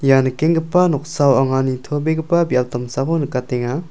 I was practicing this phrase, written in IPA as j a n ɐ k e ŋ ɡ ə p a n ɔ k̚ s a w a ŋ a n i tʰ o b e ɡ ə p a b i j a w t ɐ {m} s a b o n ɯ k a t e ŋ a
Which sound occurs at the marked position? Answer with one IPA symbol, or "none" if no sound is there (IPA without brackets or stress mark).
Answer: m